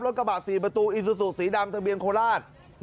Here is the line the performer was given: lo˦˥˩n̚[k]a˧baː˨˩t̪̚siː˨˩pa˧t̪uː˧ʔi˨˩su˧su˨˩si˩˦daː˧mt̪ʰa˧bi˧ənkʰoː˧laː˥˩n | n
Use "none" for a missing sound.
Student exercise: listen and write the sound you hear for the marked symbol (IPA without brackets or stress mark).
k